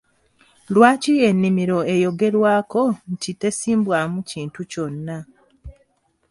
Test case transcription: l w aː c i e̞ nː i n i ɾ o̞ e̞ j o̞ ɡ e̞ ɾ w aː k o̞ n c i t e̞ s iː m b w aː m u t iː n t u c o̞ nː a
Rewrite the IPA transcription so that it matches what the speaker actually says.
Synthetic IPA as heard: l w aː c i e̞ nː i m i ɾ o̞ e̞ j o̞ ɡ e̞ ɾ w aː k o̞ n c i t e̞ s iː m b w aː m u c iː n t u c o̞ nː a